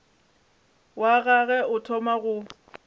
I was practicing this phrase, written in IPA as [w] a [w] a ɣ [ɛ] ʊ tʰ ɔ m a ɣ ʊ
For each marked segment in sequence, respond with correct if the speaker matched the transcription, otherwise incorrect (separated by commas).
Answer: correct, incorrect, correct